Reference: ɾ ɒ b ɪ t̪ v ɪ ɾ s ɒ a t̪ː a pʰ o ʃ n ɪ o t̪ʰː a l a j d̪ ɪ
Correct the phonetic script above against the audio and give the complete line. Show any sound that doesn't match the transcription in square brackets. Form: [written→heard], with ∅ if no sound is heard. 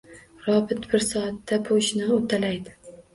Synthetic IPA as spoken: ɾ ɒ b ɪ t̪ [v→b] ɪ ɾ s ɒ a t̪ː a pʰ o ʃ n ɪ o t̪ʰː a l a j d̪ ɪ